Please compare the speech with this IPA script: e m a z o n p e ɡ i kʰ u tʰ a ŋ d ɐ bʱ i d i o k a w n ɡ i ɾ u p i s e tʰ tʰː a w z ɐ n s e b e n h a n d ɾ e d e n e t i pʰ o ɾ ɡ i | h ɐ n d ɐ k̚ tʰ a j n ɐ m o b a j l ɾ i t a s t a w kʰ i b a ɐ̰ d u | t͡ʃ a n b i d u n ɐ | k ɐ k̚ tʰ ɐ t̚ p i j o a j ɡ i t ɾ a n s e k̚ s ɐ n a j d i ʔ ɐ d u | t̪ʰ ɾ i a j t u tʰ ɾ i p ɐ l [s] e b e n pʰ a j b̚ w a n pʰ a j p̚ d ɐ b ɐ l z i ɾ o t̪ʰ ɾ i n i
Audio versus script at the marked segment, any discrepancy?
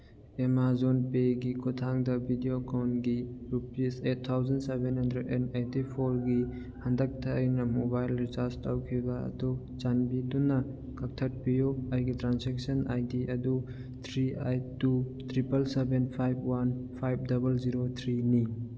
no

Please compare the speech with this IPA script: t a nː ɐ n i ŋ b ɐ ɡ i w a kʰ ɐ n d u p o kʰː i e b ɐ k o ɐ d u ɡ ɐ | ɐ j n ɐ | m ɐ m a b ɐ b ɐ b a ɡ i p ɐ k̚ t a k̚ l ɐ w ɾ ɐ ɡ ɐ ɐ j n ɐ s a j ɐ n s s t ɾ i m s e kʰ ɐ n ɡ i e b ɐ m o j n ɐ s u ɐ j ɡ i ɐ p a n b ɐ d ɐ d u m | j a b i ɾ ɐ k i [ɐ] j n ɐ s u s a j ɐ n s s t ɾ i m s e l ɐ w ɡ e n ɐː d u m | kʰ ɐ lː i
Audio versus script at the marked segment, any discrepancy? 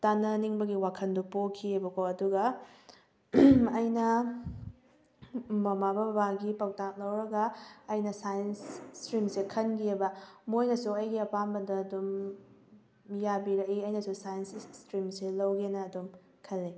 no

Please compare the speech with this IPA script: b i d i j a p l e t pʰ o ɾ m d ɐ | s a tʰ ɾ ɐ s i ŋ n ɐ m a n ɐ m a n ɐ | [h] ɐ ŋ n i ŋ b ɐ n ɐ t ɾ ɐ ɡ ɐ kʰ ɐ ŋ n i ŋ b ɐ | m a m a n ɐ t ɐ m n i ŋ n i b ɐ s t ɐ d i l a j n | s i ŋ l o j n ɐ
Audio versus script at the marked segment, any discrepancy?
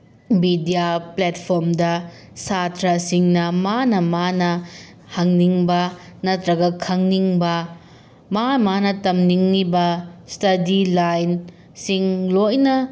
no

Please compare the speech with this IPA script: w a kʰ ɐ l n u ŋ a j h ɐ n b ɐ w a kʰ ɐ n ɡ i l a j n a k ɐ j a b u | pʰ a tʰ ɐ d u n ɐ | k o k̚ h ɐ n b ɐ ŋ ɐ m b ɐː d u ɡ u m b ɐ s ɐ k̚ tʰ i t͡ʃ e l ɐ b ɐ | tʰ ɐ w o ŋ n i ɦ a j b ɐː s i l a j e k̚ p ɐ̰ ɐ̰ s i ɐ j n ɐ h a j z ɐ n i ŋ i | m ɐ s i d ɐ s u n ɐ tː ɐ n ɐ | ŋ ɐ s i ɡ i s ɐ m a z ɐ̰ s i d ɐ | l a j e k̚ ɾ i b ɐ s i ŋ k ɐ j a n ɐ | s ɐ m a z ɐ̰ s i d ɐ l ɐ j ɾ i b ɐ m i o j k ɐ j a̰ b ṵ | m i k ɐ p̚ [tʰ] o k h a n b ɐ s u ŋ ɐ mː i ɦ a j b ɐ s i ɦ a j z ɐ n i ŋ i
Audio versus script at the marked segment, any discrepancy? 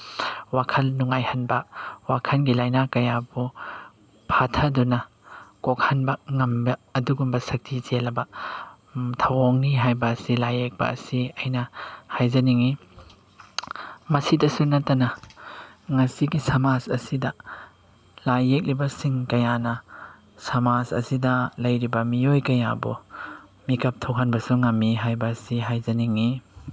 no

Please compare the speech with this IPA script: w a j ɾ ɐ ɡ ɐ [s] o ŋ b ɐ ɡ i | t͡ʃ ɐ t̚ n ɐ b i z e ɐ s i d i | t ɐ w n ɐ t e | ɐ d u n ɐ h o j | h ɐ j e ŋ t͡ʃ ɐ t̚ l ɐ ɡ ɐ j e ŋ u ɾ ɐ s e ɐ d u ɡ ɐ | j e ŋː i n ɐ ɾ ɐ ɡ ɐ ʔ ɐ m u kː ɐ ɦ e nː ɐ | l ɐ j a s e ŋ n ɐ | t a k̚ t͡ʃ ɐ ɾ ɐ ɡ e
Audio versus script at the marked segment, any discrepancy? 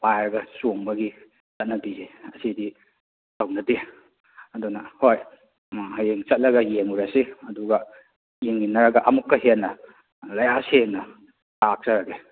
no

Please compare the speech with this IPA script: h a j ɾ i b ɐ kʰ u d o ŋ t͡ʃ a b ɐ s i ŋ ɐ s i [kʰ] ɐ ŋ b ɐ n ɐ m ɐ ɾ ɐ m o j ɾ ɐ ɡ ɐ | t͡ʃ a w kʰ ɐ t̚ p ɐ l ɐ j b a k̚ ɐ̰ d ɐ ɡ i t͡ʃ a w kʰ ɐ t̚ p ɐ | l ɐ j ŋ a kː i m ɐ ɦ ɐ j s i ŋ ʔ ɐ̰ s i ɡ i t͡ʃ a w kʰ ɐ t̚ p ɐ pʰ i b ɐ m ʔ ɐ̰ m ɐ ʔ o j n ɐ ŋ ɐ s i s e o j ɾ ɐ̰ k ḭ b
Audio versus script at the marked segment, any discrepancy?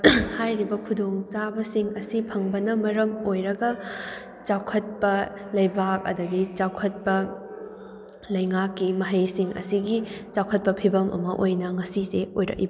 yes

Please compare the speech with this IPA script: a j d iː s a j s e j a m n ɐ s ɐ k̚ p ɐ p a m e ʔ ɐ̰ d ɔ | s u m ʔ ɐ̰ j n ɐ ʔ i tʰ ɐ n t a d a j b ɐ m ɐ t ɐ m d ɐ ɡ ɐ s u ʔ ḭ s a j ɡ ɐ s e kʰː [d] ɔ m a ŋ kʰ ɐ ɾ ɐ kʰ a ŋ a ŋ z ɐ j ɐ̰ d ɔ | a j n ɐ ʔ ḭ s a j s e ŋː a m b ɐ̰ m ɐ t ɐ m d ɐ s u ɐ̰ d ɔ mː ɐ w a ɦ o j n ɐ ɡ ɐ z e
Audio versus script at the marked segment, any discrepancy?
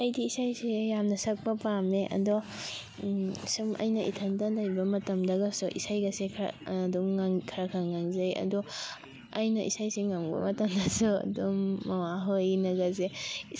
no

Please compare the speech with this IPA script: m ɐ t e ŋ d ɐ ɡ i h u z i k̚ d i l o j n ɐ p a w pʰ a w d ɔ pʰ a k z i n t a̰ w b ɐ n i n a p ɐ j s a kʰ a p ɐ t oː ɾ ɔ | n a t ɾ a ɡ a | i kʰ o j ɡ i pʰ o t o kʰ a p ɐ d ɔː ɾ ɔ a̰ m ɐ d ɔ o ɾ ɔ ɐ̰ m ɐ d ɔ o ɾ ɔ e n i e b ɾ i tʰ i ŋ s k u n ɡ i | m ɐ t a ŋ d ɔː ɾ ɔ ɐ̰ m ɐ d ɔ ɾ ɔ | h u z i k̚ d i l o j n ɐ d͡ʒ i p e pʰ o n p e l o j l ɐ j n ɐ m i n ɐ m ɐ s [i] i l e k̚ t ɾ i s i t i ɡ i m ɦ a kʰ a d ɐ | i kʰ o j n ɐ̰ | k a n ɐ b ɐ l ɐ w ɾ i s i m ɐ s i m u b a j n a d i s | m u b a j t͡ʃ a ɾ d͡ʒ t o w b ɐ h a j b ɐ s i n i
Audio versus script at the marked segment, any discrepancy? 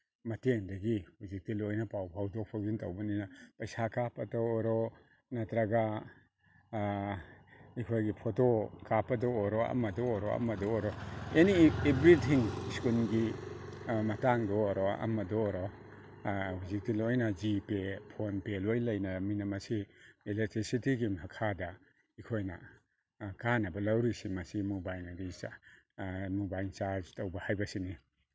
no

